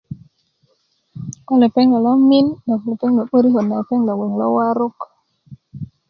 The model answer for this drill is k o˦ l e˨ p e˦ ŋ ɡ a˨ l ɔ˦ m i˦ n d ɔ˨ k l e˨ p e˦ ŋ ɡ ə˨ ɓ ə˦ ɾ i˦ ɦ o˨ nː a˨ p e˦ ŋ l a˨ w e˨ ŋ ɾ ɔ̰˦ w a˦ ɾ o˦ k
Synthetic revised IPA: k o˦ l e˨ p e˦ ŋ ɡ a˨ l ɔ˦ m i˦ n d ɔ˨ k l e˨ p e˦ ŋ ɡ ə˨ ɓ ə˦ ɾ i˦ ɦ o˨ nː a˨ p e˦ ŋ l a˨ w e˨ ŋ l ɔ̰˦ w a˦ ɾ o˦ k